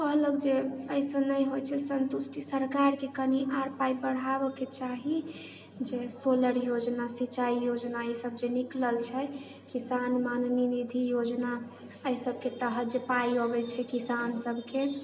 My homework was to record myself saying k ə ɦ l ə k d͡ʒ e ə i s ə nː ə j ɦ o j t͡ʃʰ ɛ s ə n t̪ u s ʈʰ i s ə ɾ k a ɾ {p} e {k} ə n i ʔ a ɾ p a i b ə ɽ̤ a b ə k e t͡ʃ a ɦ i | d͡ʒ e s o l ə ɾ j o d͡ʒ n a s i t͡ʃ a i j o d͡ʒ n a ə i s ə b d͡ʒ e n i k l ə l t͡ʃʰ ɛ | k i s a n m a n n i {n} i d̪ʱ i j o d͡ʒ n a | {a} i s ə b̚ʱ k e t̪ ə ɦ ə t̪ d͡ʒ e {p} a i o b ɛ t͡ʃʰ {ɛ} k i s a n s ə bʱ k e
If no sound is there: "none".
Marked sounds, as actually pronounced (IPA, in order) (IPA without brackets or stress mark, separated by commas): k, k, n, ə, p, ɛ